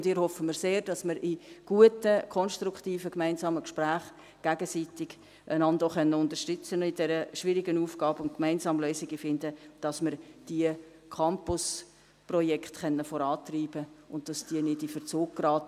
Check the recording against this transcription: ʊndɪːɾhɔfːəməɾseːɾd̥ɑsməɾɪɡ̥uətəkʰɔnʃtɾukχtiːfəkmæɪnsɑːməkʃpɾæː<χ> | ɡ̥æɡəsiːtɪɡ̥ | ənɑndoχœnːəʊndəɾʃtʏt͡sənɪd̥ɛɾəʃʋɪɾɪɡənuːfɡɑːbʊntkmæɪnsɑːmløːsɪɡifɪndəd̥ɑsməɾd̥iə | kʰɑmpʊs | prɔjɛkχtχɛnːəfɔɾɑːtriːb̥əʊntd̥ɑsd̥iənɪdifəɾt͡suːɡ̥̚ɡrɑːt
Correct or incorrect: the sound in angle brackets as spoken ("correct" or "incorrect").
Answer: correct